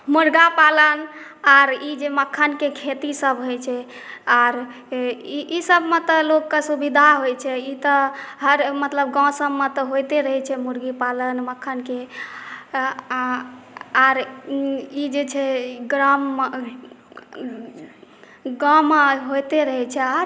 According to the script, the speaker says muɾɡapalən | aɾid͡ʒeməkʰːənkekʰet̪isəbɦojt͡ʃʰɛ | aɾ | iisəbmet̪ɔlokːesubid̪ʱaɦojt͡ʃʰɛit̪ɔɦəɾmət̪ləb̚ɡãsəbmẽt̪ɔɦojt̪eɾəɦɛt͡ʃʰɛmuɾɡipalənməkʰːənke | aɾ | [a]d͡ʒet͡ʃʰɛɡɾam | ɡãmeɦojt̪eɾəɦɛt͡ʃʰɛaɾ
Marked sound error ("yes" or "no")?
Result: yes